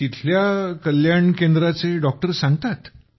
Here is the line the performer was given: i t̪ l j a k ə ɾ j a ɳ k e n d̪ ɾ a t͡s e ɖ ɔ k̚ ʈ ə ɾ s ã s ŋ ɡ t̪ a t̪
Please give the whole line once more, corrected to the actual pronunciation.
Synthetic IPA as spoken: i t̪ʰ l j a k ə l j a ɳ k e n d̪ ɾ a t͡s e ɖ ɔ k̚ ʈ ə ɾ s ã ŋ ɡ t̪ a t̪